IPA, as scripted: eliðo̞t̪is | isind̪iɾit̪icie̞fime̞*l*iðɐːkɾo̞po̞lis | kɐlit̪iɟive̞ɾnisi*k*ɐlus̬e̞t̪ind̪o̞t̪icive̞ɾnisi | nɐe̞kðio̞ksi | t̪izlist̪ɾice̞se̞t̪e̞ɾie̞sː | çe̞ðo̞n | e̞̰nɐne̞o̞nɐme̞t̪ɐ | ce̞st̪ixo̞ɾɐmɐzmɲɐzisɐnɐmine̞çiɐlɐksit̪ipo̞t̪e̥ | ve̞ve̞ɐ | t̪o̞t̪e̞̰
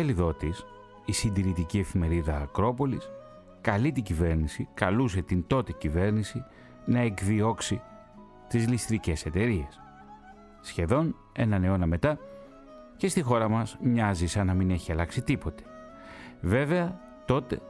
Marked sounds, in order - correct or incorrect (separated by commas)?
incorrect, correct